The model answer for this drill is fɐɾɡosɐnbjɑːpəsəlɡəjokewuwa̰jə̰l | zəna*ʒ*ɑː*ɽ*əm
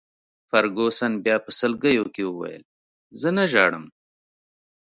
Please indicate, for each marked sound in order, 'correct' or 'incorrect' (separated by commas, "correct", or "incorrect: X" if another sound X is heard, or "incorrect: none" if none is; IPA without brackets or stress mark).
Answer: correct, correct